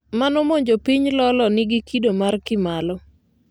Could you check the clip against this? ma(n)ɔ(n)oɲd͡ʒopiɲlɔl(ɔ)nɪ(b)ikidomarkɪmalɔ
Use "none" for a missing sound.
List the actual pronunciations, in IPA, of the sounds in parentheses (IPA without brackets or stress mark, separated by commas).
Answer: n, m, ɔ, ɡ